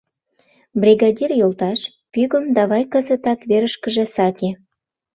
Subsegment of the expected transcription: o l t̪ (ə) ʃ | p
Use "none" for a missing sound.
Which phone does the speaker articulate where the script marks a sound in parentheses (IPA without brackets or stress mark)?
ɑ